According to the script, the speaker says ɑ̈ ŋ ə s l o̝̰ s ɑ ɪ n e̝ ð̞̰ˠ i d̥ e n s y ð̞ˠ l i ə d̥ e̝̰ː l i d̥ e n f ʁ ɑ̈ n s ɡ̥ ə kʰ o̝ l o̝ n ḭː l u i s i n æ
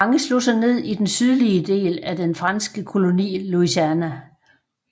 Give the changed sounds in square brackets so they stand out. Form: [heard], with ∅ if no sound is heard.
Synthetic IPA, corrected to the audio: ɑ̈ ŋ ə s l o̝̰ s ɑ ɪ n e̝ ð̞̰ˠ i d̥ e n s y ð̞ˠ l i ə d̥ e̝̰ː l [æ] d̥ e n f ʁ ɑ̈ n s ɡ̥ ə kʰ o̝ l o̝ n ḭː l u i s [æ] n æ